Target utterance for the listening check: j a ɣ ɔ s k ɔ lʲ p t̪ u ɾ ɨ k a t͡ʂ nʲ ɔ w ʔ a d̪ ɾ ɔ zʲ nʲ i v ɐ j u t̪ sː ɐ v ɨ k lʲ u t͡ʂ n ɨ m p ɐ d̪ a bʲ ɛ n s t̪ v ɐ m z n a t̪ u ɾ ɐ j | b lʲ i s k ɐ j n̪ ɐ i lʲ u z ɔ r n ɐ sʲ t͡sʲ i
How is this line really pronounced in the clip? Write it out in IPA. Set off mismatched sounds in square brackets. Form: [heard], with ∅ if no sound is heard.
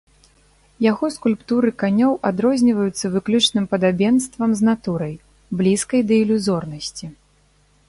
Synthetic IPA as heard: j a ɣ ɔ s k [u] lʲ p t̪ u ɾ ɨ k a [∅] nʲ ɔ w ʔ a d̪ ɾ ɔ zʲ nʲ i v ɐ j u t̪ sː ɐ v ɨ k lʲ u t͡ʂ n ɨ m p ɐ d̪ a bʲ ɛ n s t̪ v ɐ m z n a t̪ u ɾ ɐ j | b lʲ i s k ɐ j [d̪] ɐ i lʲ u z ɔ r n ɐ sʲ t͡sʲ i